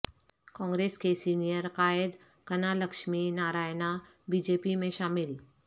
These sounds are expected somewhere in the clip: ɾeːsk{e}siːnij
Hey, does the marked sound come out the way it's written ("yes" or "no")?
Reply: yes